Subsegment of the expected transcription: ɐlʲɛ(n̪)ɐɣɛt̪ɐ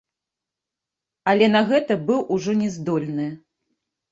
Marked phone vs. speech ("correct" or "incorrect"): correct